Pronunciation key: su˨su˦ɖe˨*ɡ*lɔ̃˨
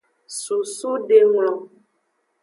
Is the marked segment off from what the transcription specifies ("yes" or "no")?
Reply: yes